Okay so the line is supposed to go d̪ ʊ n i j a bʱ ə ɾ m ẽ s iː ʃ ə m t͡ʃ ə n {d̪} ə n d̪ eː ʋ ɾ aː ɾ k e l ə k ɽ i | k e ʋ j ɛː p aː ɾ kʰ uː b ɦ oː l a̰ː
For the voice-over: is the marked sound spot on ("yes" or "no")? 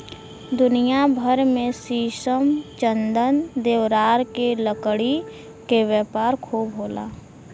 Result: yes